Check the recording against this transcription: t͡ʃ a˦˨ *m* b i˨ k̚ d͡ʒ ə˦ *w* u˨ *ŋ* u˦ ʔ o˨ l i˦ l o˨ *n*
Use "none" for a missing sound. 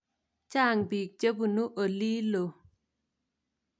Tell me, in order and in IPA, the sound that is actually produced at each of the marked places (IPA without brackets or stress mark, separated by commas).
ŋ, b, n, none